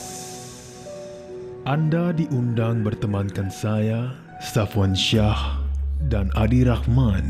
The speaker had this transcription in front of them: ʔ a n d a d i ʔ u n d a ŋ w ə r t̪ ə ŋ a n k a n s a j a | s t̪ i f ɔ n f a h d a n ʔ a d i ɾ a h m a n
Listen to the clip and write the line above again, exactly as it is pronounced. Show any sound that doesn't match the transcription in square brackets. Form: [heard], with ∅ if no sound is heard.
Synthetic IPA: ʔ a n d a d i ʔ u n d a ŋ [b] ə r t̪ ə [m] a n k a n s a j a | s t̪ [a] f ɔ n [ʃ] a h d a n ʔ a d i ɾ a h m a n